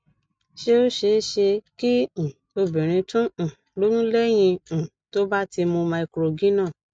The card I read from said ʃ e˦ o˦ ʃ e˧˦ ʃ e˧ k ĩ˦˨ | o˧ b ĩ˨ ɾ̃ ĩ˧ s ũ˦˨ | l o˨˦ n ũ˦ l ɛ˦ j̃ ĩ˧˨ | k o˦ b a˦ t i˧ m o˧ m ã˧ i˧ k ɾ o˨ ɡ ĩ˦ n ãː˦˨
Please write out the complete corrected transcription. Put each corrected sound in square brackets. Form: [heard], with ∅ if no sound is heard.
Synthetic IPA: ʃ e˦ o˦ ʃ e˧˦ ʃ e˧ k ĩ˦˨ | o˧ b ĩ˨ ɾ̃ ĩ˧ [t] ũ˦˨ | l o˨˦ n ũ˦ l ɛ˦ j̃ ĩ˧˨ | [t] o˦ b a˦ t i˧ m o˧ m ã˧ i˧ k ɾ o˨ ɡ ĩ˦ n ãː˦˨